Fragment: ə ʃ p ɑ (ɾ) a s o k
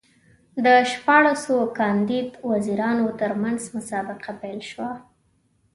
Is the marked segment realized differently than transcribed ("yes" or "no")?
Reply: yes